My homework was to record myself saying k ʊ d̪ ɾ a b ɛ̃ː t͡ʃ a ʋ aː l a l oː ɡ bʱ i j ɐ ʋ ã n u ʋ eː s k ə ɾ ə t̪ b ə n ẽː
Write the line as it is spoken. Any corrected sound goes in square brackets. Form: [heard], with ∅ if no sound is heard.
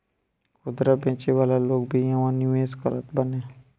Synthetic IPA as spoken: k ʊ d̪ ɾ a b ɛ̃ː t͡ʃ [e] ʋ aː l a l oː ɡ bʱ i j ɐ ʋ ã n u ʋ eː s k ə ɾ ə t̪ b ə n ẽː